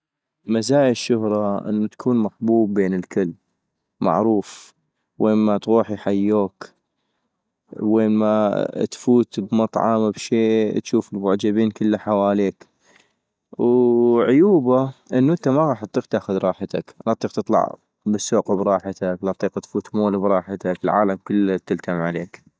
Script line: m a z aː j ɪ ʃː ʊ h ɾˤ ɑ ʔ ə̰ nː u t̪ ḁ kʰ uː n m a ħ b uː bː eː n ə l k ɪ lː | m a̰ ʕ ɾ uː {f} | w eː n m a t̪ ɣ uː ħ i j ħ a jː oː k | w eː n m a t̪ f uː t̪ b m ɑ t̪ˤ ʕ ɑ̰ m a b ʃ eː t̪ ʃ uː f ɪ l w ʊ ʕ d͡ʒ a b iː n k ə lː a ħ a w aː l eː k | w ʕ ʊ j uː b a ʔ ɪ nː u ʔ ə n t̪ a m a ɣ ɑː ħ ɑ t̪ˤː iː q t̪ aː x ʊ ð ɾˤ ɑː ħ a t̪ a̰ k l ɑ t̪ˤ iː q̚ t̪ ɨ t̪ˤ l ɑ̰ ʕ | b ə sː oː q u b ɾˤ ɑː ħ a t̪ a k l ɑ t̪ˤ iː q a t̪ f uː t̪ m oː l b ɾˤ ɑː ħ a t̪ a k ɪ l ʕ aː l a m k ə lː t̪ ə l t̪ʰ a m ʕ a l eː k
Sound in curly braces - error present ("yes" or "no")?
no